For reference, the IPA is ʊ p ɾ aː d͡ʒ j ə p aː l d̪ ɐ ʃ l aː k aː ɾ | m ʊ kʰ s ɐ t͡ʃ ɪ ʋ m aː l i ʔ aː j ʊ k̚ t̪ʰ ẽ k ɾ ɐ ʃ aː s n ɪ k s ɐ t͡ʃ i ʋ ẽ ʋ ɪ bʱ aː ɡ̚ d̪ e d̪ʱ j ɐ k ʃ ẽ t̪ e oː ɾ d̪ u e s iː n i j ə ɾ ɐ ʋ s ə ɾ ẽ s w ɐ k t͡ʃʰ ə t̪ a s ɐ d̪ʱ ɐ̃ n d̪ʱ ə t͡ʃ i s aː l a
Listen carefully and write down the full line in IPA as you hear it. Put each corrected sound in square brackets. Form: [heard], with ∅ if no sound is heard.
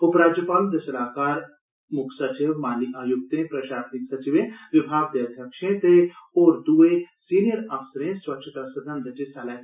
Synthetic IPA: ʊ p ɾ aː d͡ʒ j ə p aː l d̪ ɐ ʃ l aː k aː ɾ | m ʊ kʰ s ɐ t͡ʃ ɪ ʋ m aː l i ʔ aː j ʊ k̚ [t̪] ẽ [p] ɾ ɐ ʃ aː s n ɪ k s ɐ t͡ʃ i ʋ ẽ ʋ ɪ bʱ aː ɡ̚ d̪ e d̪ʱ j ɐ k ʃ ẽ t̪ e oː ɾ d̪ u e s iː n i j ə ɾ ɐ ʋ s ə ɾ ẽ s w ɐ k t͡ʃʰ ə t̪ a s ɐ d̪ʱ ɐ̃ n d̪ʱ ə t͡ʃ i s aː l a